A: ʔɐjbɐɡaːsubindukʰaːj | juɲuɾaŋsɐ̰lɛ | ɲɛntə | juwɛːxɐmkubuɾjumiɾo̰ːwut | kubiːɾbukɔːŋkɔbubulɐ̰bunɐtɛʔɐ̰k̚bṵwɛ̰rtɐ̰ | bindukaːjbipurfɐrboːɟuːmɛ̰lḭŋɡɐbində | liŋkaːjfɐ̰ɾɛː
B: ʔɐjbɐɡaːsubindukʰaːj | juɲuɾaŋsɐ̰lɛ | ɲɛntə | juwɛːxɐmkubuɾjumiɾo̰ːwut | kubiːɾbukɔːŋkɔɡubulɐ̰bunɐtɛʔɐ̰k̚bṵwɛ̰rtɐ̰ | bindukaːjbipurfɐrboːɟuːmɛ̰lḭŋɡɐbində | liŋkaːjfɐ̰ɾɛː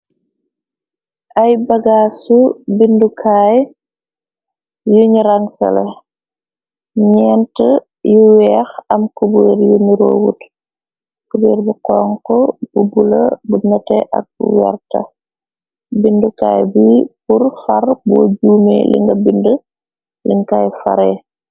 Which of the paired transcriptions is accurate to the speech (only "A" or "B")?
A